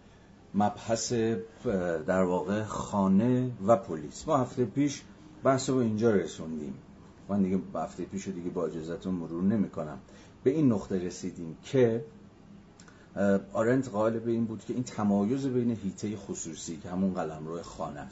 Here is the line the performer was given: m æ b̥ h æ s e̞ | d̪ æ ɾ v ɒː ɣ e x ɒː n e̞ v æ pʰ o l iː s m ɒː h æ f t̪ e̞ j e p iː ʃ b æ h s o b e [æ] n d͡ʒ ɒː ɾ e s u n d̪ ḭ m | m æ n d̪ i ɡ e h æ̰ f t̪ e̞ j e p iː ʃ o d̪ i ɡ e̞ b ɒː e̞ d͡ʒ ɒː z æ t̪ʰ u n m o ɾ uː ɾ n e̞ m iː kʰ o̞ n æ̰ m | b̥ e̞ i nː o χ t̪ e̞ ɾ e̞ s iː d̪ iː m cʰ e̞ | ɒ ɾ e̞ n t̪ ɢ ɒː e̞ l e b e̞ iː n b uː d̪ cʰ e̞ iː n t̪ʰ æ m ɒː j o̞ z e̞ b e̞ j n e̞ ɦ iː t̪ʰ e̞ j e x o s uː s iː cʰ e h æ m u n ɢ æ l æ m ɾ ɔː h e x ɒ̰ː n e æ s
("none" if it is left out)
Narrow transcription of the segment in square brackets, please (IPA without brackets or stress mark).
i